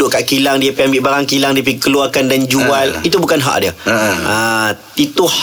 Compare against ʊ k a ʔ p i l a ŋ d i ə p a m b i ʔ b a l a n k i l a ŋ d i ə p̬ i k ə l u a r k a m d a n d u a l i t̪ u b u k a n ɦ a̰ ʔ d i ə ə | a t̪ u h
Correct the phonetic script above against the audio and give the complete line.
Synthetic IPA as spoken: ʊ k a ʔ k i l a ŋ d i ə p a m b i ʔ b a ɾ a ŋ k i l a ŋ d i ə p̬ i k ə l u a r k a n d a n d͡ʒ u a l i t̪ u b u k a n ɦ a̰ ʔ d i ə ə | i t̪ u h